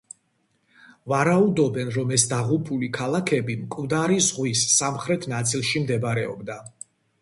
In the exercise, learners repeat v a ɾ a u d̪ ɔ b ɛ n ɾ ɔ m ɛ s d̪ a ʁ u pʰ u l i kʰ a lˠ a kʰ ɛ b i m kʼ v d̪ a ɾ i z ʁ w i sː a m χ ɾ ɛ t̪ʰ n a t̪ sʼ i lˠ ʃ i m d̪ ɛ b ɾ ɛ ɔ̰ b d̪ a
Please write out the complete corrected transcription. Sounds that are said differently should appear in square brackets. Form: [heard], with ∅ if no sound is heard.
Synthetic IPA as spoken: v a ɾ a u d̪ ɔ b ɛ n ɾ ɔ m ɛ s d̪ a ʁ u pʰ u l i kʰ a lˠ a kʰ ɛ b i m kʼ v d̪ a ɾ i z ʁ w i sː a m χ ɾ ɛ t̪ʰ n a t̪ sʼ i lˠ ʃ i m d̪ ɛ b ɾ ɛ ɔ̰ b d̪ a